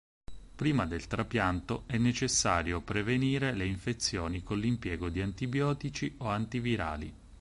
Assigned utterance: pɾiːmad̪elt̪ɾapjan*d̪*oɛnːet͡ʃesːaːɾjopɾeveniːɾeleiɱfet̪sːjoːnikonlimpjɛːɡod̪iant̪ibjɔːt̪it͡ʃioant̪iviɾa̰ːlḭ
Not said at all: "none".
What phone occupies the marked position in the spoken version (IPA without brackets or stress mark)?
t̪